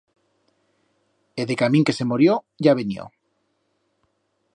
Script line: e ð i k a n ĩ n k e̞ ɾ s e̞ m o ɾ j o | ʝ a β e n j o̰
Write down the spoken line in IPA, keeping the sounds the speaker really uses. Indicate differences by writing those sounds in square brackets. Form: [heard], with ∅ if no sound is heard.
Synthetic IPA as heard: e ð [e] k a [m] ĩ [ŋ] k e̞ [∅] s e̞ m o ɾ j o | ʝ a β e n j o̰